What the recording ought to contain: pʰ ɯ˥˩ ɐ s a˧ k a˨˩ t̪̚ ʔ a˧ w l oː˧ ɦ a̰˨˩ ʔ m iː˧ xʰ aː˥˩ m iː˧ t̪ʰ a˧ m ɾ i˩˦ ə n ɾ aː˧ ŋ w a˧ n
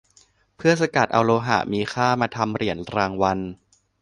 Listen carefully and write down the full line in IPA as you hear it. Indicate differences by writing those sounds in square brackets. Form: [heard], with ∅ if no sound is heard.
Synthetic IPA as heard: pʰ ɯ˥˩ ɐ s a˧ k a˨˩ t̪̚ ʔ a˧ w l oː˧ ɦ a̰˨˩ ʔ m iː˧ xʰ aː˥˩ m [aː˧] t̪ʰ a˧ m ɾ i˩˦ ə n ɾ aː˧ ŋ w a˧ n